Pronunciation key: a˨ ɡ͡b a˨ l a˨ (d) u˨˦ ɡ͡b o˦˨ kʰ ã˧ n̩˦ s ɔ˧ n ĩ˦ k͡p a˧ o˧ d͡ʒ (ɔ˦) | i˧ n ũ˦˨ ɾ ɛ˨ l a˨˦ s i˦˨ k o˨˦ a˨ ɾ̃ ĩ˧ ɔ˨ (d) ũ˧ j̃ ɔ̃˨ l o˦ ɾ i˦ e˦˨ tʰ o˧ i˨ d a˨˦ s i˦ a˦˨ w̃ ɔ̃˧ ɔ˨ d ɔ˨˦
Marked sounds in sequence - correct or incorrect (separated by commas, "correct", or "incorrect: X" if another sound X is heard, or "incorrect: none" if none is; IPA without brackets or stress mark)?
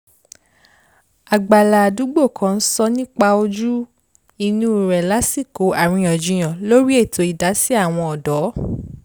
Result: correct, incorrect: u˦, incorrect: d͡ʒ